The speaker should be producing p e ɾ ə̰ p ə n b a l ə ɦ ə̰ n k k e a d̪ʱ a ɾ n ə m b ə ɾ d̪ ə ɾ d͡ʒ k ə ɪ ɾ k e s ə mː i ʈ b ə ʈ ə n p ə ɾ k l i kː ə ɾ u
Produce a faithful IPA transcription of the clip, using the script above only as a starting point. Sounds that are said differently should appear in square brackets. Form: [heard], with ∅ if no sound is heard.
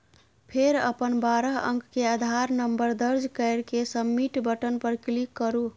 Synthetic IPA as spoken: [pʰ] e ɾ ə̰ p ə n b a [ɾ] ə ɦ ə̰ [ŋ] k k e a d̪ʱ a ɾ n ə m b ə ɾ d̪ ə ɾ d͡ʒ k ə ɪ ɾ k e s ə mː i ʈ b ə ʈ ə n p ə ɾ k l i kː ə ɾ u